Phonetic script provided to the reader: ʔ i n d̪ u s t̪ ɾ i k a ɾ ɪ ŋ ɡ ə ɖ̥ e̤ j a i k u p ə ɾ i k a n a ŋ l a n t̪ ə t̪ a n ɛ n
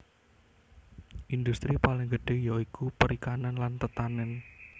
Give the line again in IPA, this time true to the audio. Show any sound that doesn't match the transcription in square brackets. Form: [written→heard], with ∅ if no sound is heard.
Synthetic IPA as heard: ʔ i n d̪ u s t̪ ɾ i [k→p] a [ɾ→l] ɪ ŋ ɡ ə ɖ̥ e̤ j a i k u p ə ɾ i k a n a [ŋ→n] l a n t̪ ə t̪ a n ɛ n